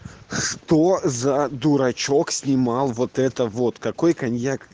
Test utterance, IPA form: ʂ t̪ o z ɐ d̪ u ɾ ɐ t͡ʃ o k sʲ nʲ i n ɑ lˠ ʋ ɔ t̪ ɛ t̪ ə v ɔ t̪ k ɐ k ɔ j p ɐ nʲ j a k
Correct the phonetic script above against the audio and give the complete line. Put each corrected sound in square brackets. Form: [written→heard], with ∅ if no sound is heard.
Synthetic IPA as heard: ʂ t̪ o z ɐ d̪ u ɾ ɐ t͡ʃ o k sʲ nʲ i [n→m] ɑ lˠ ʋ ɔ t̪ ɛ t̪ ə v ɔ t̪ k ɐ k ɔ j [p→k] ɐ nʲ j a k

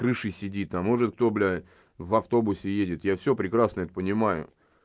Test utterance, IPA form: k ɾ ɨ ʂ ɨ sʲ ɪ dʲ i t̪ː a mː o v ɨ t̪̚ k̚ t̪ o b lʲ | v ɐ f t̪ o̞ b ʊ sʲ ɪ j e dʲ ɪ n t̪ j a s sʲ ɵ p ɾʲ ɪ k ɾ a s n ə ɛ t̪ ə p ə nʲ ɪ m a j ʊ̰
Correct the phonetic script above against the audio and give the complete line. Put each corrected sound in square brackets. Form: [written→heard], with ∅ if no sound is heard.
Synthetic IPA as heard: k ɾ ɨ ʂ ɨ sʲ ɪ dʲ i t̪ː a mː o [v→ʐ] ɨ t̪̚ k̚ t̪ o b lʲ | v ɐ f t̪ o̞ b ʊ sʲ ɪ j e dʲ ɪ [n→∅] t̪ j a [s→f] sʲ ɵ p ɾʲ ɪ k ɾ a s n ə ɛ t̪ ə p ə nʲ ɪ m a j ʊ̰

